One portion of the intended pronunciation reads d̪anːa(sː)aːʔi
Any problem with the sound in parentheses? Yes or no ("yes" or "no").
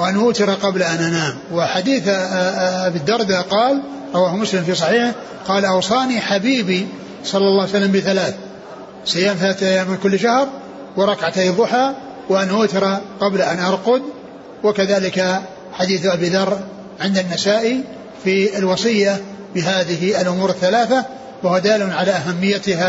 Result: yes